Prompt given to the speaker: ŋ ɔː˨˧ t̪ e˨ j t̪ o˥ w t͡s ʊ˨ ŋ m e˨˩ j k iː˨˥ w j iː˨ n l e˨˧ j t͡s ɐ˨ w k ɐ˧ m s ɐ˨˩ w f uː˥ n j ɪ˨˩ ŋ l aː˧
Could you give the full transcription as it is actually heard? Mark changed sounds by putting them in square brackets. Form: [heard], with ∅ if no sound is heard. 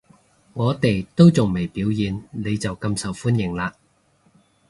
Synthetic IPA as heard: ŋ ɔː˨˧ t̪ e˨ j t̪ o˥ w t͡s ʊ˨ ŋ m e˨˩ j [p] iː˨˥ w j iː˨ n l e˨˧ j t͡s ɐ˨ w k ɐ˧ m s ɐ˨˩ w f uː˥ n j ɪ˨˩ ŋ l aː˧